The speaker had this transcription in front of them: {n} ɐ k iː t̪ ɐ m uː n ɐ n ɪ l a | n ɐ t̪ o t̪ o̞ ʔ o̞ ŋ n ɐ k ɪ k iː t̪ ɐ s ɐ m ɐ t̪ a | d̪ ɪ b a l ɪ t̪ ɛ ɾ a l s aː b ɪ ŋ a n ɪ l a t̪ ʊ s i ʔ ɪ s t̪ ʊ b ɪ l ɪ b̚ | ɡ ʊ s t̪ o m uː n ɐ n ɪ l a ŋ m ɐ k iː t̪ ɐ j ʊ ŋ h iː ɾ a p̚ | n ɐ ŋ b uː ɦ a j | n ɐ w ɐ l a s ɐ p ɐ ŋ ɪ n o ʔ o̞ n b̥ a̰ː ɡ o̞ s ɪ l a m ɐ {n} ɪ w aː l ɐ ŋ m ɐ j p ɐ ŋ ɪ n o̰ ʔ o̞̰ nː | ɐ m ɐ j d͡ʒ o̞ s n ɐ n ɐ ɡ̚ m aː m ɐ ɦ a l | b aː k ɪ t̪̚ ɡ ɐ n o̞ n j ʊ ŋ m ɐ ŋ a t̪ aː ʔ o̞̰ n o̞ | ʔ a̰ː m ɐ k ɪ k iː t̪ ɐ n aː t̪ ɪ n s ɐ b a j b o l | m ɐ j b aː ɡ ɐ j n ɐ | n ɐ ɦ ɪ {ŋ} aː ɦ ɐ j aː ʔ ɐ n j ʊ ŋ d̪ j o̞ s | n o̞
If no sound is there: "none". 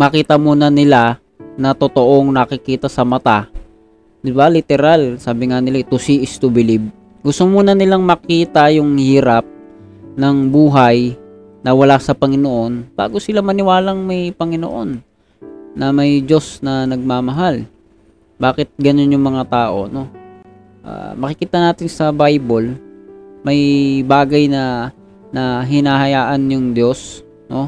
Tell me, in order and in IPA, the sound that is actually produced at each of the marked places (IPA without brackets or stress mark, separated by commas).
m, n, n